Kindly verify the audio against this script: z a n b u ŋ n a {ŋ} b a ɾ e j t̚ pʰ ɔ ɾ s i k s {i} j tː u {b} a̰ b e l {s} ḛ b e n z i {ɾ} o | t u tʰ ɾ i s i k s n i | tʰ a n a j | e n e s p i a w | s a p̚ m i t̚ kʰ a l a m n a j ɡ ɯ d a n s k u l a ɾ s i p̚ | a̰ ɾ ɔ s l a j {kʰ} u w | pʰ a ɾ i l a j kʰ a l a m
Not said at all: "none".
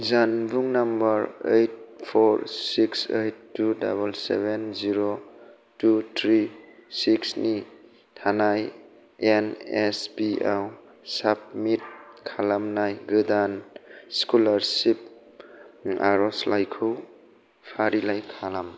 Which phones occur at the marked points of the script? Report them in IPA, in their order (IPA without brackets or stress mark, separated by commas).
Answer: m, e, d, s, ɾ, kʰ